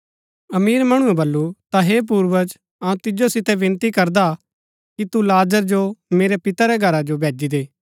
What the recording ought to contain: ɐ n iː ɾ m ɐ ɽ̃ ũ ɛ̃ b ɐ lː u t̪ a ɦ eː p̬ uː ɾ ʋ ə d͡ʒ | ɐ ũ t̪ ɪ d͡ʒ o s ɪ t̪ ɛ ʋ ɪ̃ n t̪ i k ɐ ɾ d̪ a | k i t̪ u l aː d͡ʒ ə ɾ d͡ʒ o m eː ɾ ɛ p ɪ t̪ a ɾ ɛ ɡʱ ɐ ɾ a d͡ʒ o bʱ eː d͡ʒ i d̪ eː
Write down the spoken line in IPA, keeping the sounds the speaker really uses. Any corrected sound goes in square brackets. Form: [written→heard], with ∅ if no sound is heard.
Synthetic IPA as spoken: ɐ [n→m] iː ɾ m ɐ ɽ̃ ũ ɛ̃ b ɐ lː u t̪ a ɦ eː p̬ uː ɾ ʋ ə d͡ʒ | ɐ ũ t̪ ɪ d͡ʒ o s ɪ t̪ ɛ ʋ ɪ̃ n t̪ i k ɐ ɾ d̪ a | k i t̪ u l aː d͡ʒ ə ɾ d͡ʒ o m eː ɾ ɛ p ɪ t̪ a ɾ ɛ ɡʱ ɐ ɾ a d͡ʒ o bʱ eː d͡ʒ i d̪ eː

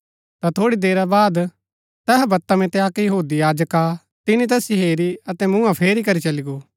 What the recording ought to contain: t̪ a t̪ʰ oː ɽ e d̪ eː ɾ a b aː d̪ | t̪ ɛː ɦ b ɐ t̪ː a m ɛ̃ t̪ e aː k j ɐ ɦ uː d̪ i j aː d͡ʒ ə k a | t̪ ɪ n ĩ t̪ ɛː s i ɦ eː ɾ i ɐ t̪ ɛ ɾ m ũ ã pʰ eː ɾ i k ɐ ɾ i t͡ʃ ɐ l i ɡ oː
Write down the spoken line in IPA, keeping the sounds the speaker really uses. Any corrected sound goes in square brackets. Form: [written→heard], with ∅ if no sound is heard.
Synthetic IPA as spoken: t̪ a t̪ʰ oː ɽ [e→i] d̪ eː ɾ a b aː d̪ | t̪ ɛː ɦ b ɐ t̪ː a m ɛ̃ t̪ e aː k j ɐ ɦ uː d̪ i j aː d͡ʒ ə k a | t̪ ɪ n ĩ t̪ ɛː s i ɦ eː ɾ i ɐ t̪ ɛ [ɾ→∅] m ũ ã pʰ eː ɾ i k ɐ ɾ i t͡ʃ ɐ l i ɡ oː

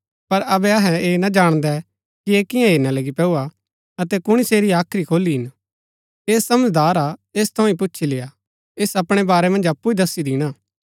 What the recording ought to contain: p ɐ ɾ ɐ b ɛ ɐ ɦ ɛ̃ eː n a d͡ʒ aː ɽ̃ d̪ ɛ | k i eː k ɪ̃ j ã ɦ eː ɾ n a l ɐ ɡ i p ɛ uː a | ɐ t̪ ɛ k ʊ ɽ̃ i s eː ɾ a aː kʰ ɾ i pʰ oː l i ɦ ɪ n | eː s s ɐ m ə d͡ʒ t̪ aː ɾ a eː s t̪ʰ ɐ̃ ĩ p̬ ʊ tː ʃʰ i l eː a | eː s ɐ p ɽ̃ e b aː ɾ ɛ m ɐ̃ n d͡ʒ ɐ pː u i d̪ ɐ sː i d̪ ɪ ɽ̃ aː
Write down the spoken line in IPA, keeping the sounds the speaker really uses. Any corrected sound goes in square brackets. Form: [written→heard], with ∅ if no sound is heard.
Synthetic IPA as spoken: p ɐ ɾ ɐ b ɛ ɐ ɦ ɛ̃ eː n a d͡ʒ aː ɽ̃ d̪ ɛ | k i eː k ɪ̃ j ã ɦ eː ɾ n a l ɐ ɡ i p ɛ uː a | ɐ t̪ ɛ k ʊ ɽ̃ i s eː ɾ [a→i] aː kʰ ɾ i [pʰ→kʰ] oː l i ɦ ɪ n | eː s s ɐ m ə d͡ʒ [t̪→d̪] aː ɾ a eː s t̪ʰ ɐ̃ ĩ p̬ ʊ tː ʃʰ i l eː a | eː s ɐ p ɽ̃ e b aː ɾ ɛ m ɐ̃ n d͡ʒ ɐ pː u i d̪ ɐ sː i d̪ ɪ ɽ̃ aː

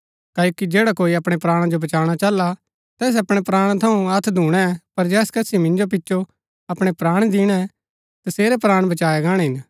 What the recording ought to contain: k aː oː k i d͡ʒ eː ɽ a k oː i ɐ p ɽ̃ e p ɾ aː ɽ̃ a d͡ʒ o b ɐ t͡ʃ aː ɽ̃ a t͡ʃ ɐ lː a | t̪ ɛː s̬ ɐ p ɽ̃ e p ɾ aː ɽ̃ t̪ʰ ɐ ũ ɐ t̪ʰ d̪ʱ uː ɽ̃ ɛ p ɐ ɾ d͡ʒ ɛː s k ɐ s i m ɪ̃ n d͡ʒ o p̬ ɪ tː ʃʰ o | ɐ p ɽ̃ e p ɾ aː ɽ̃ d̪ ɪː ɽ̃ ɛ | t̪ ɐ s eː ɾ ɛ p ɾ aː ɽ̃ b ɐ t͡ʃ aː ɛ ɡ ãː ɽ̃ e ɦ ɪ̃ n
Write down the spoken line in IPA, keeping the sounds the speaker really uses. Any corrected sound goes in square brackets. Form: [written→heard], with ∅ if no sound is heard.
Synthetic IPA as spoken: k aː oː k i d͡ʒ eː ɽ a k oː i ɐ p ɽ̃ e p ɾ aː ɽ̃ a d͡ʒ o b ɐ t͡ʃ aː ɽ̃ a t͡ʃ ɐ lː a | t̪ ɛː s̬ ɐ p ɽ̃ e p ɾ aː ɽ̃ t̪ʰ ɐ ũ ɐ t̪ʰ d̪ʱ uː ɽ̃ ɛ p ɐ ɾ d͡ʒ ɛː s k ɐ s i m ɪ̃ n d͡ʒ o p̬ ɪ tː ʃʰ o | ɐ p ɽ̃ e p ɾ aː ɽ̃ d̪ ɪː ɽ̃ ɛ | t̪ ɐ s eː ɾ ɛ p ɾ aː ɽ̃ b ɐ t͡ʃ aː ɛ ɡ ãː ɽ̃ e ɦ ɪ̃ n

